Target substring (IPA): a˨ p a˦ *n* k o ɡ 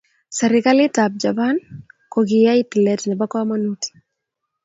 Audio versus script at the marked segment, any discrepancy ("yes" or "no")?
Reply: no